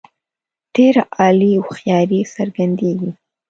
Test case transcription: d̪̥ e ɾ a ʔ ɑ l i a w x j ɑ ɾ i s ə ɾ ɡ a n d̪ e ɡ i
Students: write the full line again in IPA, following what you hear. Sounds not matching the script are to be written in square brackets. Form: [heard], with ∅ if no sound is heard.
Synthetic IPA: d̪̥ e ɾ a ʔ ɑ l i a w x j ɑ ɾ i s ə ɾ ɡ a n d̪ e ɡ i